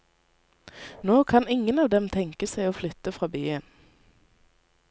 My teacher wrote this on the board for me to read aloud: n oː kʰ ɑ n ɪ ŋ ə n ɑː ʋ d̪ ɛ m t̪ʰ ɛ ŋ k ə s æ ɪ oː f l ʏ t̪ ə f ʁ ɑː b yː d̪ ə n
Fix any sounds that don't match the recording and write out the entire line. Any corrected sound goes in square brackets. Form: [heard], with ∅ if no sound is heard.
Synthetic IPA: n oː kʰ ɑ n ɪ ŋ ə n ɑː ʋ d̪ ɛ m t̪ʰ ɛ ŋ k ə s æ ɪ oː f l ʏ t̪ ə f ʁ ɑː b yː [∅] ə n